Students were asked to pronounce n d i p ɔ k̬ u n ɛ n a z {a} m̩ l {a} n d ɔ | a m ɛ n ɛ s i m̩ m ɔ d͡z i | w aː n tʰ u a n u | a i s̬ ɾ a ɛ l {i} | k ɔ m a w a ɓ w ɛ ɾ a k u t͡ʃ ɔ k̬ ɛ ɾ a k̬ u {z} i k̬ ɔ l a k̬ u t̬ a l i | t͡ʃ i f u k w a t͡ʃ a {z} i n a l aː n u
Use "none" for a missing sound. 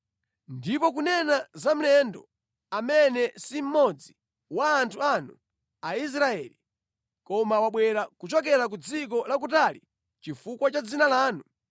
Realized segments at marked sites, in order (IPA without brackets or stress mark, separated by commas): a, ɛ, i, d͡z, d͡z